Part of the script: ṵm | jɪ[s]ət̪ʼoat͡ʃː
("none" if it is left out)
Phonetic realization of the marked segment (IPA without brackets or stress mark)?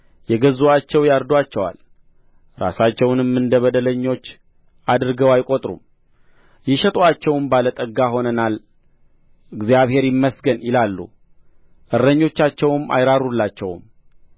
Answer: ʃ